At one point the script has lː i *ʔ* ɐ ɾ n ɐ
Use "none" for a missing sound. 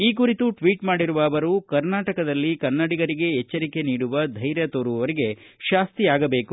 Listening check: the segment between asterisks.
k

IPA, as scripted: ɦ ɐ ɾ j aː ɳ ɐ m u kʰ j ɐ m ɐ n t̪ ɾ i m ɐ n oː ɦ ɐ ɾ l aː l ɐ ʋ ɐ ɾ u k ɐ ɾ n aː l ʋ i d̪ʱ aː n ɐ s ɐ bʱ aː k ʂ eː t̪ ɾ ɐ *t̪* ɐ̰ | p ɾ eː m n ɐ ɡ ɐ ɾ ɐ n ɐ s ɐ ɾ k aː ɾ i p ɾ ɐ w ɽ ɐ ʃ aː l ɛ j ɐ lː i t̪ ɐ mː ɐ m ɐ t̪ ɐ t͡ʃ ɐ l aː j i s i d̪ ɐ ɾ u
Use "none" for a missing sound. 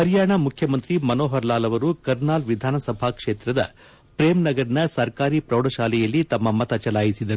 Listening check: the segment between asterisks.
d̪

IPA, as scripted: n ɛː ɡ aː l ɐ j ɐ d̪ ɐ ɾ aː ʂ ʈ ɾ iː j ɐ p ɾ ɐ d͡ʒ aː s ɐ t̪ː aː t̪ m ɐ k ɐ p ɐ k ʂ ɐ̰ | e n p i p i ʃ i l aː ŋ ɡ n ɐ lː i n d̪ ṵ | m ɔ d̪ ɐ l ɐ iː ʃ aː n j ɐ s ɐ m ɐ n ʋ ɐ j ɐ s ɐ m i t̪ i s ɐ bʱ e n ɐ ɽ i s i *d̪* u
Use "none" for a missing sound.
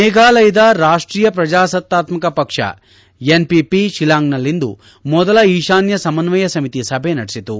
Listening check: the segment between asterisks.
t̪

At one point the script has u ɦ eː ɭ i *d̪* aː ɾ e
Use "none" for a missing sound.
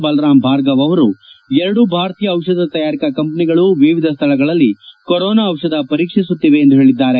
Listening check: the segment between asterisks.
d̪ː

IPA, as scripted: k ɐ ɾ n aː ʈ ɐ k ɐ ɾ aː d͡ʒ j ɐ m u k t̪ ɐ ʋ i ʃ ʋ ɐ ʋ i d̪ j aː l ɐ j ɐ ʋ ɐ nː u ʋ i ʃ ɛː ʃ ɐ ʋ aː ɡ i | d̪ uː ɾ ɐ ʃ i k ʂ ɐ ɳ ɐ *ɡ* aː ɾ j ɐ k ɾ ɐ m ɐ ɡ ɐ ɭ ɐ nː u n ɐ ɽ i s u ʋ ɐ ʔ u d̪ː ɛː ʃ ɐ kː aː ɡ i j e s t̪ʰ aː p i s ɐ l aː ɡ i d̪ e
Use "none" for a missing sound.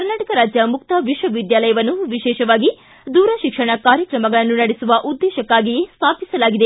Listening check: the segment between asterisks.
k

